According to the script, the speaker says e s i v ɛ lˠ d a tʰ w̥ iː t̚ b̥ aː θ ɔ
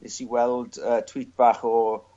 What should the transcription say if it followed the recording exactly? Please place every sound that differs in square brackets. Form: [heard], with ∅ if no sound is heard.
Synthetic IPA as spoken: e s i [w] ɛ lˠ d [ə] tʰ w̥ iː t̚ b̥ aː [χ] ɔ